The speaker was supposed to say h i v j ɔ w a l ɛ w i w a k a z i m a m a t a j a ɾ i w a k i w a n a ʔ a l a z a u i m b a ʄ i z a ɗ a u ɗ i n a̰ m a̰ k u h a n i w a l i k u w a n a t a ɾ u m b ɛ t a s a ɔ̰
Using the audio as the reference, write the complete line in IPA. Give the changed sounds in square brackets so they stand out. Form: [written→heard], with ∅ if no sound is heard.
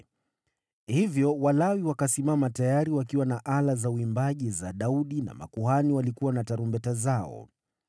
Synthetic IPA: h i v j ɔ w a l [ɛ→a] w i w a k a [z→s] i m a m a t a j a ɾ i w a k i w a n a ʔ a l a z a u i m b a ʄ i z a ɗ a u ɗ i n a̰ m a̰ k u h a n i w a l i k u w a n a t a ɾ u m b ɛ t a [s→z] a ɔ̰